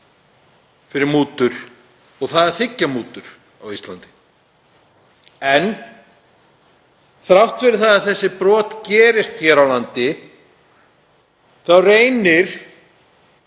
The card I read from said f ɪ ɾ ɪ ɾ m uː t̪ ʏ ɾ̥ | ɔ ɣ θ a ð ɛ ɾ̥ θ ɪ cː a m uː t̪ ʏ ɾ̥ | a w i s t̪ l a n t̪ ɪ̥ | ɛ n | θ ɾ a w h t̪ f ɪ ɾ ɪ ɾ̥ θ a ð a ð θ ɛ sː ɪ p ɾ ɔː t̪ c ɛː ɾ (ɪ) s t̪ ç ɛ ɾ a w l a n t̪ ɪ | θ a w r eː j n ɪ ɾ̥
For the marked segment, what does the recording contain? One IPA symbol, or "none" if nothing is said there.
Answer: ɪ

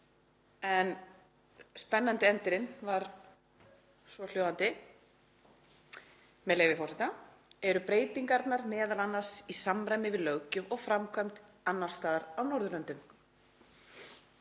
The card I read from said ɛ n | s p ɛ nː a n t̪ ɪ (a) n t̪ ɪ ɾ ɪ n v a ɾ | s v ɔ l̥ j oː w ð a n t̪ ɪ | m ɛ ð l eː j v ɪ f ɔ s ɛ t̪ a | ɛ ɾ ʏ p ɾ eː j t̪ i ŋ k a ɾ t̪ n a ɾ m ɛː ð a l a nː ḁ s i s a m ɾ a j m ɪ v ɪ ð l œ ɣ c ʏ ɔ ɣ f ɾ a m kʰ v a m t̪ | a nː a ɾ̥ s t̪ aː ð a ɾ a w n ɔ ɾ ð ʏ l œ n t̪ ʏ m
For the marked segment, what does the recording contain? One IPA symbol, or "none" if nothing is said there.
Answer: ɛ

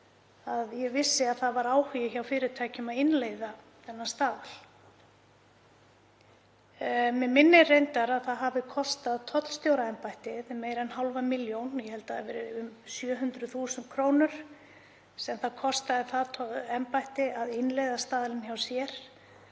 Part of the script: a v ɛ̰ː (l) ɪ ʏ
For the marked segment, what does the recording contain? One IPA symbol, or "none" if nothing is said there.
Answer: ɾ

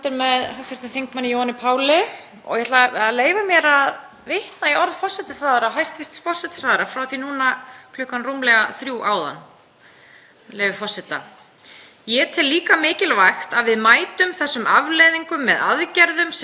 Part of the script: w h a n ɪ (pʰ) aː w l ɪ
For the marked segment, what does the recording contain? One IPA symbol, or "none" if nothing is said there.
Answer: pʰ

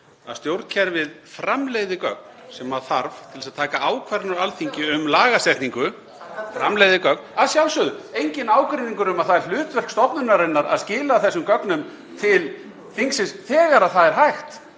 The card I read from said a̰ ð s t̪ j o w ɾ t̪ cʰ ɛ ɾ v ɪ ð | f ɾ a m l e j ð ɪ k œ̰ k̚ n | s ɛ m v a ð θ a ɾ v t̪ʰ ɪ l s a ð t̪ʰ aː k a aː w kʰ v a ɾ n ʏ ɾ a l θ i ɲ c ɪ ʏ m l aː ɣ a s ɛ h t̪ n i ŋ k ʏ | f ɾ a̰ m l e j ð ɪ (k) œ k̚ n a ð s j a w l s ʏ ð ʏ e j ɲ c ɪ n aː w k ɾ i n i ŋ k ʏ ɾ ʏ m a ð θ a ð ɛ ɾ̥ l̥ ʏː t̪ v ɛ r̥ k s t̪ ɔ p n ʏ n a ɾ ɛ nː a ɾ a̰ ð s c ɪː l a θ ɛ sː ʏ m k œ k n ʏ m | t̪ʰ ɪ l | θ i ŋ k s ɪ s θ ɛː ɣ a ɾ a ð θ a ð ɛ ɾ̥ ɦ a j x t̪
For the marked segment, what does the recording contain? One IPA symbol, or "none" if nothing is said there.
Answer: k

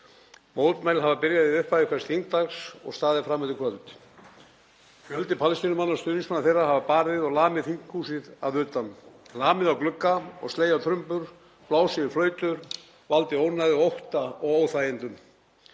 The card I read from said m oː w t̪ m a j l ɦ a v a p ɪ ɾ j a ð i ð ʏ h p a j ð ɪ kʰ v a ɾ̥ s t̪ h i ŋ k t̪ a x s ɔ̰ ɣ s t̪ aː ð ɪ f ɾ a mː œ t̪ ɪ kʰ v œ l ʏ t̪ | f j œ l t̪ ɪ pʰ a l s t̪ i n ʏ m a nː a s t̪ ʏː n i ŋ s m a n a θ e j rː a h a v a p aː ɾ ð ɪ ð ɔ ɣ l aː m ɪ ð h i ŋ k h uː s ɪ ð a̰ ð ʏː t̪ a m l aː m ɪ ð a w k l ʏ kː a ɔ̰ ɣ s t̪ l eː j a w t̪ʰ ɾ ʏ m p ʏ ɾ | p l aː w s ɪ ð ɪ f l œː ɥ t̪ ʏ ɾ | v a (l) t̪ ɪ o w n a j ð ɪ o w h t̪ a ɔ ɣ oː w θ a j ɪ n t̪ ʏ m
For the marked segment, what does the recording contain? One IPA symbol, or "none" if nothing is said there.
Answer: l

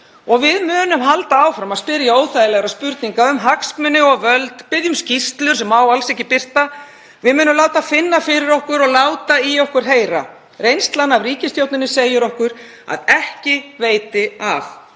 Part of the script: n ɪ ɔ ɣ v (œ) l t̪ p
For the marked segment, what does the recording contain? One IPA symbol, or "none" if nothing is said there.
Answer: œ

